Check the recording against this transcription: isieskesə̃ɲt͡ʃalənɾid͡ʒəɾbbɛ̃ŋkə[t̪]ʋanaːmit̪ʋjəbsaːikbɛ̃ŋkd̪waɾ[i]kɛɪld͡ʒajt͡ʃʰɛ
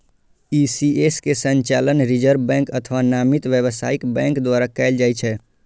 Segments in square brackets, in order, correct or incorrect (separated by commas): incorrect, incorrect